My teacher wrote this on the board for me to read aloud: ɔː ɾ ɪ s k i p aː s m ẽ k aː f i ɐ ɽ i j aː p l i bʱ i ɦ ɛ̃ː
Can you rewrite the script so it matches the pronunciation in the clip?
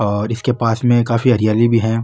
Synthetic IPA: ɔː ɾ ɪ s k e p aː s m ẽ k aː f i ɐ ɾ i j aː l i bʱ i ɦ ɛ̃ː